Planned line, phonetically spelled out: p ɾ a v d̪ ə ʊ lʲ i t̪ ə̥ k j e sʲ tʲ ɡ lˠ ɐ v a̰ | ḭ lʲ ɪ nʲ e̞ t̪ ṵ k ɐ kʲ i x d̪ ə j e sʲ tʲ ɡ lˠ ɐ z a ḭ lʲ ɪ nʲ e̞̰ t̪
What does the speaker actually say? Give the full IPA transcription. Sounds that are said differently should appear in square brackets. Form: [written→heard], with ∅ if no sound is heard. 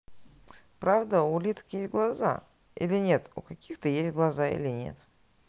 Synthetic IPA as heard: p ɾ a v d̪ ə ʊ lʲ i t̪ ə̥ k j e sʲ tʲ ɡ lˠ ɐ [v→z] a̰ | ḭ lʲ ɪ nʲ e̞ t̪ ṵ k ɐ kʲ i x [d̪→t̪] ə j e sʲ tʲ ɡ lˠ ɐ z a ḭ lʲ ɪ nʲ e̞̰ t̪